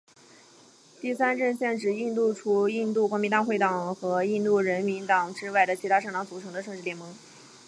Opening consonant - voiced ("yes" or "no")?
no